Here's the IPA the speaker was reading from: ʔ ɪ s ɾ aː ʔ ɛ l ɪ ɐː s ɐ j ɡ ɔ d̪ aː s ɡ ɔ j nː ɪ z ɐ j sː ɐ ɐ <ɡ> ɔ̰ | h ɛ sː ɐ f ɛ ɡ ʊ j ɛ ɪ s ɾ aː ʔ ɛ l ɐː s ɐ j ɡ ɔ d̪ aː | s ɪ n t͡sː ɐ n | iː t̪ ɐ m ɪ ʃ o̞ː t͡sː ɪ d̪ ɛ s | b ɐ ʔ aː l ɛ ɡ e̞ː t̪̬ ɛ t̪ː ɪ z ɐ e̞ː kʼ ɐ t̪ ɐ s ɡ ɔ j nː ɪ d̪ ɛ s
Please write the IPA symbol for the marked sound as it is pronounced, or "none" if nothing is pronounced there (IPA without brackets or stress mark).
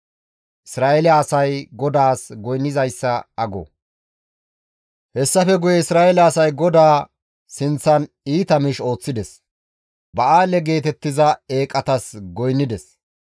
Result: ɡ